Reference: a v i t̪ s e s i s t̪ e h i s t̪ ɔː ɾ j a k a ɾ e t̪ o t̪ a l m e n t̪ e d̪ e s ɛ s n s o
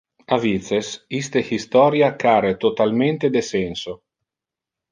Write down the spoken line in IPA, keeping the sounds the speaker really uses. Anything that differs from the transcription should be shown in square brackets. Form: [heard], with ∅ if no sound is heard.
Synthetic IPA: a v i t̪ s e s i s t̪ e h i s t̪ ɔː ɾ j a k a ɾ e t̪ o t̪ a l m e n t̪ e d̪ e s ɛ [∅] n s o